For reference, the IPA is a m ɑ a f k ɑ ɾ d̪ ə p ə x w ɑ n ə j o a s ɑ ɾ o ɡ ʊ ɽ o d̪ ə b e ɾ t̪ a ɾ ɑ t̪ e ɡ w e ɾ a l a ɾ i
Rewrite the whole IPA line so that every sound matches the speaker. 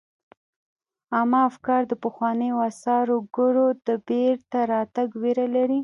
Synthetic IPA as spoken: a m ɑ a f k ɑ ɾ d̪ ə p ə x w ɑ n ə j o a s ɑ ɾ o ɡ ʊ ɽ o d̪ ə b e ɾ t̪ a ɾ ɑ t̪ a ɡ w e ɾ a l a ɾ i